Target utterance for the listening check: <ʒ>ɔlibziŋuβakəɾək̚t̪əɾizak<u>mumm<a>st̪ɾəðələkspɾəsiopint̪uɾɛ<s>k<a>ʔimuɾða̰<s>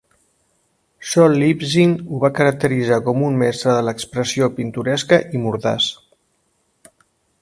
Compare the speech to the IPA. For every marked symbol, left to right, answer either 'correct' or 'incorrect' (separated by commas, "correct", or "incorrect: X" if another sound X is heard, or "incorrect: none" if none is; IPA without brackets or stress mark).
incorrect: ʃ, incorrect: ɔ, incorrect: ɛ, correct, incorrect: ə, correct